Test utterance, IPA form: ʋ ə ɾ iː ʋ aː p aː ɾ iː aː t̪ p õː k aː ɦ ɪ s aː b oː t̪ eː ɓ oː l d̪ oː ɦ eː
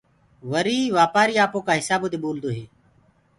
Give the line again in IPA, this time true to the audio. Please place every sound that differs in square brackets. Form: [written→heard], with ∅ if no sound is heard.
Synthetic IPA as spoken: ʋ ə ɾ iː ʋ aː p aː ɾ iː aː [t̪→∅] p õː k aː ɦ ɪ s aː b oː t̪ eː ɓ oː l d̪ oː ɦ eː

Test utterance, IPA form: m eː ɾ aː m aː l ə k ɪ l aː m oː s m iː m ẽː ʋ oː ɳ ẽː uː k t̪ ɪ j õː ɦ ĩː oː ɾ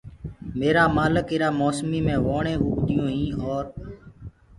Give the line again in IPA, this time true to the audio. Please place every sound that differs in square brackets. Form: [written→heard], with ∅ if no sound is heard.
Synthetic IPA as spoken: m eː ɾ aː m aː l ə k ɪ [l→ɾ] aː m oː s m iː m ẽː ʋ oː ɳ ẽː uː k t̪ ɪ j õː ɦ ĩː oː ɾ

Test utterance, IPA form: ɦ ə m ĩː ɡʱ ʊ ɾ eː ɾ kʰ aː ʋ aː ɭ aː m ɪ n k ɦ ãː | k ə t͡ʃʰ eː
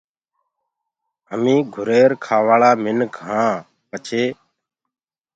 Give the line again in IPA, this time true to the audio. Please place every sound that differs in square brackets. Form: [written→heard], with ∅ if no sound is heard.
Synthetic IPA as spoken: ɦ ə m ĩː ɡʱ ʊ ɾ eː ɾ kʰ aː ʋ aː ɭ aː m ɪ n k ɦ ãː | [k→p] ə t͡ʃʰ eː

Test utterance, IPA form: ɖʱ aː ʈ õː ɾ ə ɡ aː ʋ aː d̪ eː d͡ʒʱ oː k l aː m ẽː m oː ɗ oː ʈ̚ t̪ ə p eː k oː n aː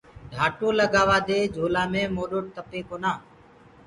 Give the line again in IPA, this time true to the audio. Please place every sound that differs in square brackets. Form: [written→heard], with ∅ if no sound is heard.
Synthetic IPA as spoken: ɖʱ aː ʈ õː [ɾ→l] ə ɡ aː ʋ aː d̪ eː d͡ʒʱ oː [k→∅] l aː m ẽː m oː ɗ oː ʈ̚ t̪ ə p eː k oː n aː

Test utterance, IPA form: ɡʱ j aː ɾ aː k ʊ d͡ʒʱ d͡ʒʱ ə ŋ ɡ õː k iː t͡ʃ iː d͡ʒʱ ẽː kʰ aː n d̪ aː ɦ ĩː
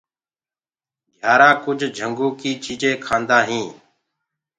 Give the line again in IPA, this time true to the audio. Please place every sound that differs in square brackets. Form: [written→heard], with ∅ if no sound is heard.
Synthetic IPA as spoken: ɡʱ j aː ɾ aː k ʊ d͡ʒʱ d͡ʒʱ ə ŋ ɡ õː k iː t͡ʃ iː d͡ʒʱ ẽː kʰ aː n d̪ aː ɦ ĩː

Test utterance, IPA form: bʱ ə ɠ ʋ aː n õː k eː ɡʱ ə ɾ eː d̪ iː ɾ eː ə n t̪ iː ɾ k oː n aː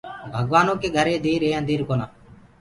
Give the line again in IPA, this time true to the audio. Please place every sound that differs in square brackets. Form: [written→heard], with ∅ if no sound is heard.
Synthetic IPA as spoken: bʱ ə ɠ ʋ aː n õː k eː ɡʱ ə ɾ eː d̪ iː ɾ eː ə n [t̪→d̪] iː ɾ k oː n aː

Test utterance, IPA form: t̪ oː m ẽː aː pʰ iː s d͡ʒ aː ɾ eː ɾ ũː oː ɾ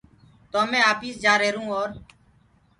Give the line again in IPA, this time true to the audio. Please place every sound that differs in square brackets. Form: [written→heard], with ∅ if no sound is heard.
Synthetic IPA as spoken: t̪ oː m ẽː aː [pʰ→p] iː s d͡ʒ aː ɾ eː ɾ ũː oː ɾ

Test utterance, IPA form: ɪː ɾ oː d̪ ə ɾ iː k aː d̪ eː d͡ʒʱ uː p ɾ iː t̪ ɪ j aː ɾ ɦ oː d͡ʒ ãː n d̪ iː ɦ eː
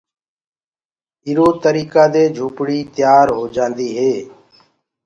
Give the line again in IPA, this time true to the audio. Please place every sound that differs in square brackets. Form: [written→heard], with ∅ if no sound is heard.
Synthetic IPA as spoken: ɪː ɾ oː [d̪→t̪] ə ɾ iː k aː d̪ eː d͡ʒʱ uː p [ɾ→ɽ] iː t̪ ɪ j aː ɾ ɦ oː d͡ʒ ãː n d̪ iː ɦ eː

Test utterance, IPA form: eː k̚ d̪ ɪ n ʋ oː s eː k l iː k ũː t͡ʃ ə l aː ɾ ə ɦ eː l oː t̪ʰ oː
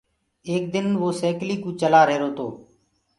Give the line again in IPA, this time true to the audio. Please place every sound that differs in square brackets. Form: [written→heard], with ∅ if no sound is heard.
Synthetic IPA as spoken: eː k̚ d̪ ɪ n ʋ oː s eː k l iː k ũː t͡ʃ ə l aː ɾ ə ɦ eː [l→ɾ] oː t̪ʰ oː

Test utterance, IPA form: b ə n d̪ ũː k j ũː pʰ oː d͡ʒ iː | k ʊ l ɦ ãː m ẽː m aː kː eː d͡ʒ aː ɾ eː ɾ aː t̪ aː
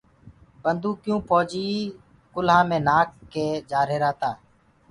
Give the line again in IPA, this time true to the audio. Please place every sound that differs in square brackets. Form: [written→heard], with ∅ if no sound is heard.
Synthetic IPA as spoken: b ə n d̪ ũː k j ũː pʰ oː d͡ʒ iː | k ʊ l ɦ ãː m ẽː [m→n] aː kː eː d͡ʒ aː ɾ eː ɾ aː t̪ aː

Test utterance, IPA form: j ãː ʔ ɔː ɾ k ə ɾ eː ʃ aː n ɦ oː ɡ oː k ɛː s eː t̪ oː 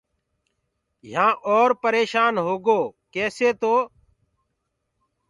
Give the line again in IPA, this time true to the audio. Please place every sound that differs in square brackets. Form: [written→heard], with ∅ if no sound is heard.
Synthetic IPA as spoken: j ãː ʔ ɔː ɾ [k→p] ə ɾ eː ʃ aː n ɦ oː ɡ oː k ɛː s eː t̪ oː

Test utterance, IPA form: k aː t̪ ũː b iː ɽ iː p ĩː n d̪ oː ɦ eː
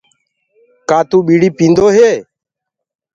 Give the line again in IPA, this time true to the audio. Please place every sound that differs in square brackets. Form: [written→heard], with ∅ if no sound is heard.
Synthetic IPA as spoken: k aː t̪ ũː [b→ɓ] iː ɽ iː p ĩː n d̪ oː ɦ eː

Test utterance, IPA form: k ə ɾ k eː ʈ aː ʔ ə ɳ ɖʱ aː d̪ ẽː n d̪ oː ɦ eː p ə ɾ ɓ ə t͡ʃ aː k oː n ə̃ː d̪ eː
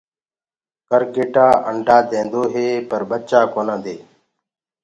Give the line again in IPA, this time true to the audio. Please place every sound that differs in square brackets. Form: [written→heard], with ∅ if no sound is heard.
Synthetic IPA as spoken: k ə ɾ k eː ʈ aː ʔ ə ɳ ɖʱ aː d̪ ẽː n d̪ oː ɦ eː p ə ɾ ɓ ə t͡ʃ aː k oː n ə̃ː d̪ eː

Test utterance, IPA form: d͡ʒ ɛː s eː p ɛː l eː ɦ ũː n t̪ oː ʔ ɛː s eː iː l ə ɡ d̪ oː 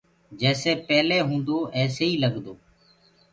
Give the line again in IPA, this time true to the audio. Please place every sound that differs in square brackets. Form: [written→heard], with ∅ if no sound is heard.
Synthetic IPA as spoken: d͡ʒ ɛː s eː p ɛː l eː ɦ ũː n [t̪→d̪] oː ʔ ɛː s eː iː l ə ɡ d̪ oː

